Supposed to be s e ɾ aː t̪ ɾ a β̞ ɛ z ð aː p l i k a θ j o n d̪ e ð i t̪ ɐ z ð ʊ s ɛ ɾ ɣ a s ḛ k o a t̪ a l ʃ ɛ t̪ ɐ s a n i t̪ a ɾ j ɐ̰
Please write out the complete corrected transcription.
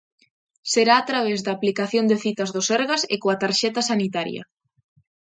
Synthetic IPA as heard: s e ɾ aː t̪ ɾ a β̞ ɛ z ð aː p l i k a θ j o n d̪ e θ i t̪ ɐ z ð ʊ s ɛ ɾ ɣ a s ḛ k o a t̪ a ɾ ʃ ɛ t̪ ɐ s a n i t̪ a ɾ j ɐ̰